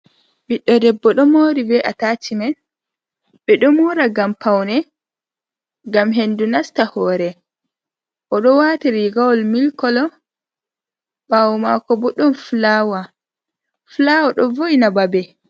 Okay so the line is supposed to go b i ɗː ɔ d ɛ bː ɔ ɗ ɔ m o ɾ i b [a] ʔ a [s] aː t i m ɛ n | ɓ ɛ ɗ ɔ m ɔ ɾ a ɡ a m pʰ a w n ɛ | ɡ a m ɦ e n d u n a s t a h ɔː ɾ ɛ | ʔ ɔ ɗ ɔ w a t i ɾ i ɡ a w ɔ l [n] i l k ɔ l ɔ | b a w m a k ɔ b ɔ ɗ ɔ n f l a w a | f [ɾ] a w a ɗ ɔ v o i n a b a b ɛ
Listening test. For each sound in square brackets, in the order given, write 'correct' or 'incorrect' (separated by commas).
incorrect, incorrect, incorrect, incorrect